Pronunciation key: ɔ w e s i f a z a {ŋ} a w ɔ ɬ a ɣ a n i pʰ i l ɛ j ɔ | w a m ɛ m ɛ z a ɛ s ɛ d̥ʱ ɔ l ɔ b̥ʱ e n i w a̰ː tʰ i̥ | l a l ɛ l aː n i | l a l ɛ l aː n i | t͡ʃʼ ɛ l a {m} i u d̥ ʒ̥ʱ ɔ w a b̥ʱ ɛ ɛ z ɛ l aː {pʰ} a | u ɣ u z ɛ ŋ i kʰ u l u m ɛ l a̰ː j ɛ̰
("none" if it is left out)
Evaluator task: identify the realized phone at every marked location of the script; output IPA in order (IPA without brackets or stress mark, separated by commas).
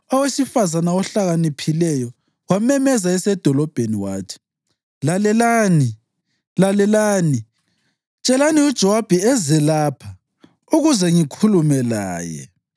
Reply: n, n, pʰ